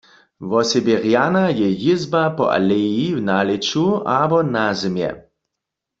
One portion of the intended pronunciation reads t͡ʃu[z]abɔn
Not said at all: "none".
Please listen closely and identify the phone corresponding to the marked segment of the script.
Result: none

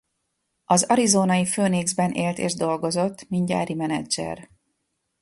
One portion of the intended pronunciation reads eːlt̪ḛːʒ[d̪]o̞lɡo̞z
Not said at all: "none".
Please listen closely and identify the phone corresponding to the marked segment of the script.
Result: d̪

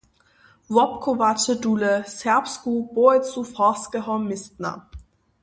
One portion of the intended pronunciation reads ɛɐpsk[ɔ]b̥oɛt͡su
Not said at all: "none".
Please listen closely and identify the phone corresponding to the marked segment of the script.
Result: u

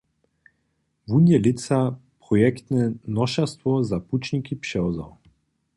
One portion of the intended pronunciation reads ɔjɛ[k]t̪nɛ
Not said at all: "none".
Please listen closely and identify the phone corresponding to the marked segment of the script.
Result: k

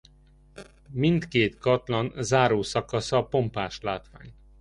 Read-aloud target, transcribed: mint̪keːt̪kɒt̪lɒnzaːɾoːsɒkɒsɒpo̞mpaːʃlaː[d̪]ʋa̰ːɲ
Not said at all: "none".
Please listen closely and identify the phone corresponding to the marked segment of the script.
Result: t̪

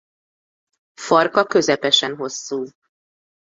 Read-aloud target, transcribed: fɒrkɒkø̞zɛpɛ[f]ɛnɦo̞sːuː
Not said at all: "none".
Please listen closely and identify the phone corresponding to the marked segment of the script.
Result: ʃ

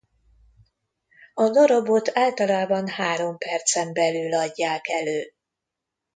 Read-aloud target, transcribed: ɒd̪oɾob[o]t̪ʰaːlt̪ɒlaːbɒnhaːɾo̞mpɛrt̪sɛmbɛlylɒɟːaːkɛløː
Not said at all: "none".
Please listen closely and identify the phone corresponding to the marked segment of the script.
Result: o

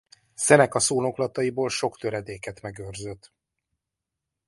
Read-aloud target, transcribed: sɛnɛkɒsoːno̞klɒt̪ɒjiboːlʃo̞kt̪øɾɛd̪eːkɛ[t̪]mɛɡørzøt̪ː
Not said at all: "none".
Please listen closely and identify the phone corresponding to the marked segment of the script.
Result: t̪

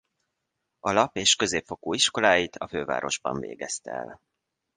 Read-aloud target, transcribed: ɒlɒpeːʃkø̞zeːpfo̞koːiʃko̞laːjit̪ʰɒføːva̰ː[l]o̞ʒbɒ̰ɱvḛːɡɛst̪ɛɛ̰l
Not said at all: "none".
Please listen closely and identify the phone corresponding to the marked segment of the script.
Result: ɾ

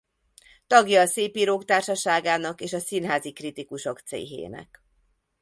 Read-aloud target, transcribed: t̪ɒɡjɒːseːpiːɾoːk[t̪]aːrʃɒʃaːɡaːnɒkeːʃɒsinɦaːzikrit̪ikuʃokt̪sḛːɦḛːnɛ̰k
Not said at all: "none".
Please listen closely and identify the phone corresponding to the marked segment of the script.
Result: t̪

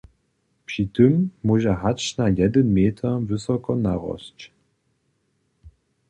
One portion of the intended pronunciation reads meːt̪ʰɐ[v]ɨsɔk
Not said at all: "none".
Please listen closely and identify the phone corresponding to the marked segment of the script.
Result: v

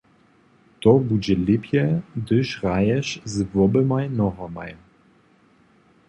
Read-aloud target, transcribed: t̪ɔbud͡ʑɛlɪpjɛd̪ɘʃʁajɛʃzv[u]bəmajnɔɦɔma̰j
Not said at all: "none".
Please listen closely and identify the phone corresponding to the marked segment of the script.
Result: ɔ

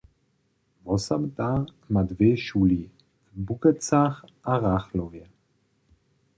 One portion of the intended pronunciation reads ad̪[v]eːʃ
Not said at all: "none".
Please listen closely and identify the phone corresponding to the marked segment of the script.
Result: v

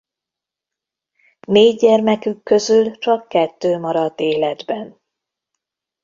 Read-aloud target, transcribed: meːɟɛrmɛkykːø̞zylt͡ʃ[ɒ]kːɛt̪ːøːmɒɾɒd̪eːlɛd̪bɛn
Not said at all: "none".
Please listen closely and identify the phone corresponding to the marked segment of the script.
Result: ɒ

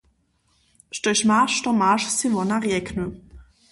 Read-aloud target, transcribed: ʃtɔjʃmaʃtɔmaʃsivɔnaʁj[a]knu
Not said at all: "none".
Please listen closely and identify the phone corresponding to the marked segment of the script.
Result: ɛ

